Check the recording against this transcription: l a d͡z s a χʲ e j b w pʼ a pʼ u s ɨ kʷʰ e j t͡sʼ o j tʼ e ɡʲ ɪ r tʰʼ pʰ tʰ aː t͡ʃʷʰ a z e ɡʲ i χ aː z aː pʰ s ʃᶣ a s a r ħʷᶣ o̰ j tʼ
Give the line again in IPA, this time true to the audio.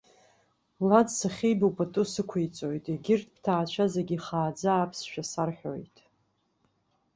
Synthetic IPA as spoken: l a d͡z s a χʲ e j b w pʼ a tʼ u s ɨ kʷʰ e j t͡sʼ o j tʼ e ɡʲ ɪ r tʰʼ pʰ tʰ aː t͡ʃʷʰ a z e ɡʲ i χ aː d͡z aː pʰ s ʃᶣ a s a r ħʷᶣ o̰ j tʼ